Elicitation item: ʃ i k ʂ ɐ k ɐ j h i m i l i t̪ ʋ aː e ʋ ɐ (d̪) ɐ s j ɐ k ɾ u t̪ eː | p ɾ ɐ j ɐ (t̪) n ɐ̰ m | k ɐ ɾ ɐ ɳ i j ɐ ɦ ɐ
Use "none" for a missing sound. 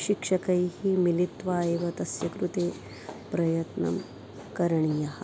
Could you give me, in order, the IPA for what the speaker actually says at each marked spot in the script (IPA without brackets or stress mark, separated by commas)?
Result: t̪, t̪